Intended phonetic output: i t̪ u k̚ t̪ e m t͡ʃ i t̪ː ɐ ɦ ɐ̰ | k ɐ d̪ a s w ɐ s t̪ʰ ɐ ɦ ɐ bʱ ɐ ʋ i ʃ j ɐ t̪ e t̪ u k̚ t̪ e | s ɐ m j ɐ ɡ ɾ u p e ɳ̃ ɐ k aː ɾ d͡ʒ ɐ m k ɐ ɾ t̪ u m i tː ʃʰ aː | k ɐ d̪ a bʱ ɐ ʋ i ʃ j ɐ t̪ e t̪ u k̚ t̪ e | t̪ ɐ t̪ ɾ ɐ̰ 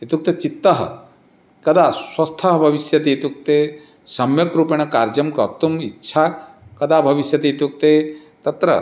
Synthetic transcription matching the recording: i t̪ u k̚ t̪ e t͡ʃ i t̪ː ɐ ɦ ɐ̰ | k ɐ d̪ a s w ɐ s t̪ʰ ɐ ɦ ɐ bʱ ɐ ʋ i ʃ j ɐ t̪ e t̪ u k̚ t̪ e | s ɐ m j ɐ k ɾ u p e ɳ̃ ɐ k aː ɾ d͡ʒ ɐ m k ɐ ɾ t̪ u m i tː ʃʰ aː | k ɐ d̪ a bʱ ɐ ʋ i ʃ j ɐ t̪ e t̪ u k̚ t̪ e | t̪ ɐ t̪ ɾ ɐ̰

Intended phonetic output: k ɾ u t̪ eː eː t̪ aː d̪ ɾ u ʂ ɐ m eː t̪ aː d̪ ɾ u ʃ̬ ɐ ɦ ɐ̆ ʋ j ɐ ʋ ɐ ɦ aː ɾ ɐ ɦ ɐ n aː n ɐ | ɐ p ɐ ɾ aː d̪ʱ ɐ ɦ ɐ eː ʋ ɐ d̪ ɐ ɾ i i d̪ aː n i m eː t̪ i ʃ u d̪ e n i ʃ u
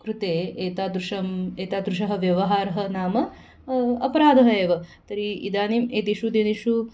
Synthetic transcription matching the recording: k ɾ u t̪ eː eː t̪ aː d̪ ɾ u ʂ ɐ m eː t̪ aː d̪ ɾ u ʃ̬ ɐ ɦ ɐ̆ ʋ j ɐ ʋ ɐ ɦ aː ɾ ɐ ɦ ɐ n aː m ɐ | ɐ p ɐ ɾ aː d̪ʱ ɐ ɦ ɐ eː ʋ ɐ t̪ ɐ ɾ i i d̪ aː n i m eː t̪ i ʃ u d̪ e n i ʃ u

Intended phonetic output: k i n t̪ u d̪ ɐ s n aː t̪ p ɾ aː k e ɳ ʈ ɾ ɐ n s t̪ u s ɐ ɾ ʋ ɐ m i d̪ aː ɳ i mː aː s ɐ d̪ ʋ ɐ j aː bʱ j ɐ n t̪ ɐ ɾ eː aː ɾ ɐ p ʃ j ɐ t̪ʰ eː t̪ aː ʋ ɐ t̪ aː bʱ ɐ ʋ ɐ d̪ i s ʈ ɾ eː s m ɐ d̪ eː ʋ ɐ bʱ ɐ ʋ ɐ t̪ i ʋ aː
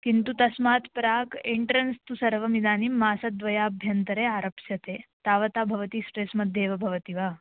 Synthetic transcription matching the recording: k i n t̪ u t̪ ɐ s m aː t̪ p ɾ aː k e ɳ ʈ ɾ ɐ n s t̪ u s ɐ ɾ ʋ ɐ m i d̪ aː n i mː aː s ɐ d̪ ʋ ɐ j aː bʱ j ɐ n t̪ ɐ ɾ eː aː ɾ ɐ p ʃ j ɐ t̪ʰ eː t̪ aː ʋ ɐ t̪ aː bʱ ɐ ʋ ɐ t̪ i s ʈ ɾ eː s m ɐ d̪ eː ʋ ɐ bʱ ɐ ʋ ɐ t̪ i ʋ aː

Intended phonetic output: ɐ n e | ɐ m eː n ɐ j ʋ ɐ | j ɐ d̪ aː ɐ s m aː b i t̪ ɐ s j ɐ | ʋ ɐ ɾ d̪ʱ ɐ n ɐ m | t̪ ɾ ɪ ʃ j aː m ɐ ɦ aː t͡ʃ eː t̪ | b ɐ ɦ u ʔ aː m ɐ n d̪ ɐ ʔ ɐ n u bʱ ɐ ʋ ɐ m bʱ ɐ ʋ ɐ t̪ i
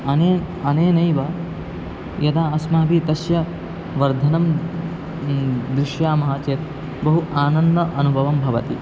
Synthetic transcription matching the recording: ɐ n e | ɐ n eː n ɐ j ʋ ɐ | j ɐ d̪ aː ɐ s m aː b i t̪ ɐ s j ɐ | ʋ ɐ ɾ d̪ʱ ɐ n ɐ m | d̪ ɾ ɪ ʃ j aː m ɐ ɦ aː t͡ʃ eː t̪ | b ɐ ɦ u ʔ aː n ɐ n d̪ ɐ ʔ ɐ n u bʱ ɐ ʋ ɐ m bʱ ɐ ʋ ɐ t̪ i

